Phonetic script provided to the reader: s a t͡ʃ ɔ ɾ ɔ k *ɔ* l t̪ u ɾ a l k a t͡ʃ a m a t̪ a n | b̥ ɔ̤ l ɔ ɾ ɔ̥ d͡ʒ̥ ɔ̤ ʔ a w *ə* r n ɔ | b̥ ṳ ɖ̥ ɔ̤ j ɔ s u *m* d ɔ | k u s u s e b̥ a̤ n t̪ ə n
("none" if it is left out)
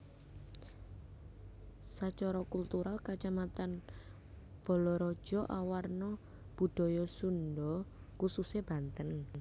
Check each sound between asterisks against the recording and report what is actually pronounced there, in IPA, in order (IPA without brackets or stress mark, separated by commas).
u, a, n